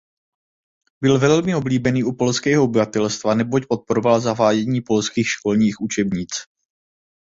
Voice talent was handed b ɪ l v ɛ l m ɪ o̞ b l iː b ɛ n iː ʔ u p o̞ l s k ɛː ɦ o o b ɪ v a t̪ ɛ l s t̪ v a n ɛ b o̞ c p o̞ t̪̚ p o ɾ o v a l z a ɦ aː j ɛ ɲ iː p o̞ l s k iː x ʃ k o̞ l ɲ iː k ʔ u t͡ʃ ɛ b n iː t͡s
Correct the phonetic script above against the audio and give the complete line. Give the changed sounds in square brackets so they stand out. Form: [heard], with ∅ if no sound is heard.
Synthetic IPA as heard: b ɪ l v ɛ l m ɪ o̞ b l iː b ɛ n iː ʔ u p o̞ l s k ɛː ɦ o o b ɪ v a t̪ ɛ l s t̪ v a n ɛ b o̞ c p o̞ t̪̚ p o ɾ o v a l z a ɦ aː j ɛ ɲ iː p o̞ l s k iː x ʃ k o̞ l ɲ iː [x] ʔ u t͡ʃ ɛ b [ɲ] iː t͡s